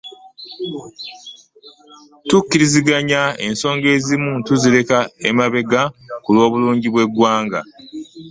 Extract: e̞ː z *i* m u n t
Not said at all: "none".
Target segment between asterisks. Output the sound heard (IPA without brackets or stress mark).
i